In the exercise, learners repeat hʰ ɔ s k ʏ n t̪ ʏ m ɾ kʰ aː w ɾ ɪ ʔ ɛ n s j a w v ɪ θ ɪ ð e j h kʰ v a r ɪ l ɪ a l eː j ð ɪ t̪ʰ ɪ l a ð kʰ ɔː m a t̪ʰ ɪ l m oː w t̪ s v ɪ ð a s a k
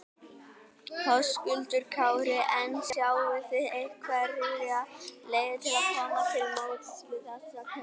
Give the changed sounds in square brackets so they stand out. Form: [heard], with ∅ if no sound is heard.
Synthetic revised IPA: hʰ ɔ s k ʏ n t̪ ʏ [∅] ɾ kʰ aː w ɾ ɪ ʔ ɛ n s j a w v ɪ θ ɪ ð e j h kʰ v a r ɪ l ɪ a l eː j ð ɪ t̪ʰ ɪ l a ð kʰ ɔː m a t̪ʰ ɪ l m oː w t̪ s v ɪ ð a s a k